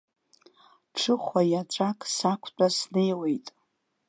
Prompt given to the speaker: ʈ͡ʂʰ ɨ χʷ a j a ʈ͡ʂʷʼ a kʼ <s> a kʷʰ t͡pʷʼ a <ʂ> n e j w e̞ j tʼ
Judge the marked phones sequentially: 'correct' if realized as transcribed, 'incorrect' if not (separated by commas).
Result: correct, incorrect